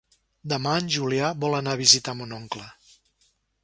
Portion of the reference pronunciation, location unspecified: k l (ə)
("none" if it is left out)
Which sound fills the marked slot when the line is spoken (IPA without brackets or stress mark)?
ə